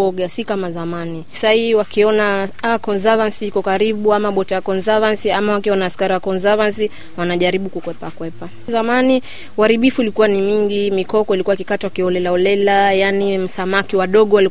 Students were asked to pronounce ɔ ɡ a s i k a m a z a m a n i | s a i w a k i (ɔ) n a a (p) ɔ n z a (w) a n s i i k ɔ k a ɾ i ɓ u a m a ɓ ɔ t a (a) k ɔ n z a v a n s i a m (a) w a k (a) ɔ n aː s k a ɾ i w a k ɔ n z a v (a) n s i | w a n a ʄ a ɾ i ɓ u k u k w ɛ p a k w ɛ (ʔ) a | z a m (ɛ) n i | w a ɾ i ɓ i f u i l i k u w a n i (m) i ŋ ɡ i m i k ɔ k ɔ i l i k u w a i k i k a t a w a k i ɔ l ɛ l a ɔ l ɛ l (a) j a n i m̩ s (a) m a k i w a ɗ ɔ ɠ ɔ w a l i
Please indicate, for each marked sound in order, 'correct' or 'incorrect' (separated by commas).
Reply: correct, incorrect, incorrect, correct, correct, incorrect, correct, incorrect, incorrect, correct, correct, correct